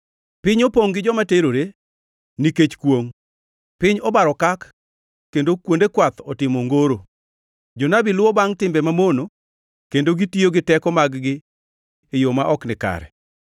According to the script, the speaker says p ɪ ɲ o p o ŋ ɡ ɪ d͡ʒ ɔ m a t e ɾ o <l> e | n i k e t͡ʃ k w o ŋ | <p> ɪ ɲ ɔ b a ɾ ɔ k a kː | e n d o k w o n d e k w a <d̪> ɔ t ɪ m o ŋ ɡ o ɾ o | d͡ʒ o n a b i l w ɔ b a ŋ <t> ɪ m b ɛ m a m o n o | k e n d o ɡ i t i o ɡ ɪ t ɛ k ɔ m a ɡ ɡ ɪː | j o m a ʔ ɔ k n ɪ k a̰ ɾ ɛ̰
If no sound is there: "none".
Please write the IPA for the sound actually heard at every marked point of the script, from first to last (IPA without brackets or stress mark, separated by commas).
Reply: ɾ, p, t̪, t